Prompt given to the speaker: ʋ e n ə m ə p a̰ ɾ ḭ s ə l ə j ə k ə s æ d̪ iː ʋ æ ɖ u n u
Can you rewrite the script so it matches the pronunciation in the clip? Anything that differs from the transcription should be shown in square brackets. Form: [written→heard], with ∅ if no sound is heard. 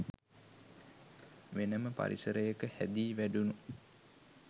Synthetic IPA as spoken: ʋ e n ə m ə p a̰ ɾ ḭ s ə [l→ɾ] ə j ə k ə [s→h] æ d̪ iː ʋ æ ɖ u n u